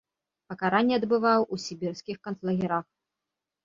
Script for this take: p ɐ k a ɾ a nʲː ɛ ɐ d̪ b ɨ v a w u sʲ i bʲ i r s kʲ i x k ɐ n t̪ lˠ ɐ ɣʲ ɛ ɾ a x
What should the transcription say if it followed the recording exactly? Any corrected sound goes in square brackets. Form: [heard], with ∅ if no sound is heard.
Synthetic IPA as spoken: p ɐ k a ɾ a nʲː ɛ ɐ d̪ b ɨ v a w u sʲ i bʲ i r s kʲ i x k ɐ n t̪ lˠ ɐ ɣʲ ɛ ɾ a x